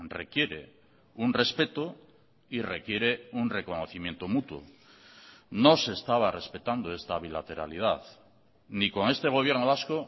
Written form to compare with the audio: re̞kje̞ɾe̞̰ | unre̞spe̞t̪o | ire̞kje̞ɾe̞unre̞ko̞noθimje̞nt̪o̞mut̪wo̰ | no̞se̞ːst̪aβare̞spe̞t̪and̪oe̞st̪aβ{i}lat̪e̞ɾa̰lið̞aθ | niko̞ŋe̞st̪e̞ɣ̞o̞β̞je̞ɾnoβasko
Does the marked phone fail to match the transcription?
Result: no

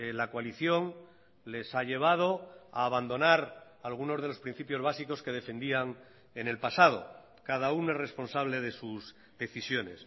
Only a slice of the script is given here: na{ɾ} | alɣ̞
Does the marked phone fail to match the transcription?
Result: no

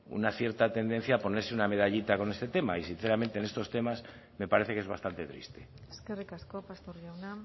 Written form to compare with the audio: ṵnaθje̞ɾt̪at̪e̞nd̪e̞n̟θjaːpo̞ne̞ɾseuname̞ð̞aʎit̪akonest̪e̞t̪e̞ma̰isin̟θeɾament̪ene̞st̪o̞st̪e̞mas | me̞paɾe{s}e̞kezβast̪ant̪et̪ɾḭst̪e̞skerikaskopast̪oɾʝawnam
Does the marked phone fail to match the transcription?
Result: yes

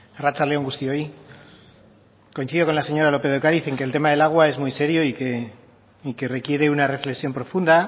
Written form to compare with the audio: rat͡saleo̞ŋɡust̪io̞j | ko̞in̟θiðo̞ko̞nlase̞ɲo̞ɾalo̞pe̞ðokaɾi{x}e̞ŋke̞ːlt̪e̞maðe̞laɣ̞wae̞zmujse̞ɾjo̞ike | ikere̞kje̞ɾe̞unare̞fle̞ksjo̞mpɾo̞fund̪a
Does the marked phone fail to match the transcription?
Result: yes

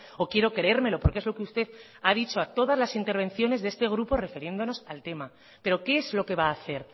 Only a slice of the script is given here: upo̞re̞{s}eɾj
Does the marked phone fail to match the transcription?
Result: yes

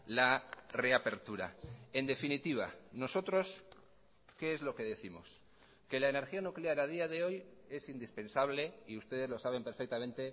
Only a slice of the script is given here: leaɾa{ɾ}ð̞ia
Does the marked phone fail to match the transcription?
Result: yes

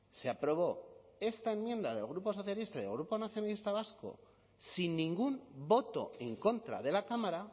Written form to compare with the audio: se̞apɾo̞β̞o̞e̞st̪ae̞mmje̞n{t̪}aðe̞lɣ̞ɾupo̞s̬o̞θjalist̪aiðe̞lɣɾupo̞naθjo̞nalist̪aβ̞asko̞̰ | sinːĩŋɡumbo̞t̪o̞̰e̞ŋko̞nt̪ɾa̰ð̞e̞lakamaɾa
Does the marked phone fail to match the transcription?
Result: yes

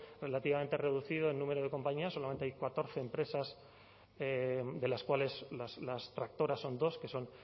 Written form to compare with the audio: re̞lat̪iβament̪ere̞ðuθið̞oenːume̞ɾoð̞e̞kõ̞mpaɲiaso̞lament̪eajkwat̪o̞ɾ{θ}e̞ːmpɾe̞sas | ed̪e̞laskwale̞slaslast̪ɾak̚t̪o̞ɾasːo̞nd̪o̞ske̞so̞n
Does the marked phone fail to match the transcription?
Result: no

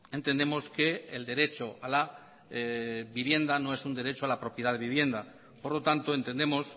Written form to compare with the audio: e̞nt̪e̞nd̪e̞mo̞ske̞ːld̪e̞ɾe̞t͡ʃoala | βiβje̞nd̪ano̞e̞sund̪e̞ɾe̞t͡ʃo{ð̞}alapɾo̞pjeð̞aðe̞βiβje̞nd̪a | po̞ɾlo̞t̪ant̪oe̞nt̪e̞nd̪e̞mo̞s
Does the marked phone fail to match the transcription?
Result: yes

